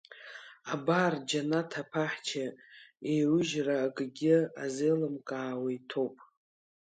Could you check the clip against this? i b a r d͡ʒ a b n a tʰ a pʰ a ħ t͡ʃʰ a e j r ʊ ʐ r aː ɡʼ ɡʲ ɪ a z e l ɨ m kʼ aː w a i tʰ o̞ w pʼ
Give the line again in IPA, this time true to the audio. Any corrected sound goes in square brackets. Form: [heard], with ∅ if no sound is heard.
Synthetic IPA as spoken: [a] b a r d͡ʒ a [∅] n a tʰ a pʰ a ħ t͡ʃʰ a e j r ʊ [ʒ] r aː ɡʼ ɡʲ ɪ a z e l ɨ m kʼ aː w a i tʰ o̞ w pʼ

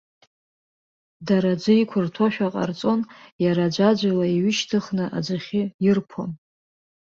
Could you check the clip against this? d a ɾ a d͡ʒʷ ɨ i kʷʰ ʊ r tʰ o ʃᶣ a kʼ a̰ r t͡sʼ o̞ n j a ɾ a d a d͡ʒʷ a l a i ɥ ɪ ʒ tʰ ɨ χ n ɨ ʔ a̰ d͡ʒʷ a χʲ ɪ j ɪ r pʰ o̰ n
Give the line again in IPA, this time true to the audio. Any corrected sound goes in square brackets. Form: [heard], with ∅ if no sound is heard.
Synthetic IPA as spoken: d a ɾ a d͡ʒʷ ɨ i kʷʰ ʊ r tʰ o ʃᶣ a [qʼ] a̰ r t͡sʼ o̞ n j a ɾ a [d͡ʒʷ] a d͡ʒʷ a l a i ɥ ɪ [ʃ] tʰ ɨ χ n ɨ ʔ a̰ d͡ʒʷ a χʲ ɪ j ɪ r pʰ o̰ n

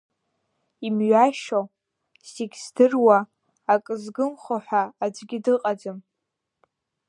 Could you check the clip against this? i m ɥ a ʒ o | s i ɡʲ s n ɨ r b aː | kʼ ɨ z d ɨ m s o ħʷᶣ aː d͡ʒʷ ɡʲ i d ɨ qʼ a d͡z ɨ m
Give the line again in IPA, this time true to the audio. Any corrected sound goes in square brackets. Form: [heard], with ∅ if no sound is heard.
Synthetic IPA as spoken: i m ɥ a [ʃ] o | s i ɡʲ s [d] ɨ r [w] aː | kʼ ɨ z [ɡ] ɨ m [χ] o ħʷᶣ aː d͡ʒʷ ɡʲ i d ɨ qʼ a d͡z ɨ m

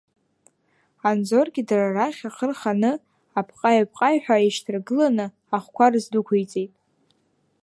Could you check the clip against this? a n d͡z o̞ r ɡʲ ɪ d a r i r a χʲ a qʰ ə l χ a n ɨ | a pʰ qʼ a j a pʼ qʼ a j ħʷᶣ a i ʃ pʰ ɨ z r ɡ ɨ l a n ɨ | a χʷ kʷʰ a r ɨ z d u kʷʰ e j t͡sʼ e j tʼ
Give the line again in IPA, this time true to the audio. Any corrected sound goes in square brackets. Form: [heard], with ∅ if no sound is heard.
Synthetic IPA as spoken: a n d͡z o̞ r ɡʲ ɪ d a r [a] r a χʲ a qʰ ə [r] χ a n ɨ | a pʰ qʼ a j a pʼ qʼ a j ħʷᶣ a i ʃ [tʰ] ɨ [∅] r ɡ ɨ l a n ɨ | a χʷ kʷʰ a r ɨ z d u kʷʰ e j t͡sʼ e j tʼ

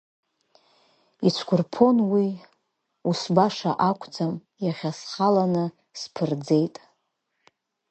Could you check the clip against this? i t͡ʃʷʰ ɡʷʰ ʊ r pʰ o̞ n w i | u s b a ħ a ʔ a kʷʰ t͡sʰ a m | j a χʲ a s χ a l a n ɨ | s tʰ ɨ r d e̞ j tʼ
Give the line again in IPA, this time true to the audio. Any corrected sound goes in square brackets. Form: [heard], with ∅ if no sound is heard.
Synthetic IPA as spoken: i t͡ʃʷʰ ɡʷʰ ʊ r pʰ o̞ n w i | u s b a [ʂ] a ʔ a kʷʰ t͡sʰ a m | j a χʲ a s χ a l a n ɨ | s [pʰ] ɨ r [d͡z] e̞ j tʼ

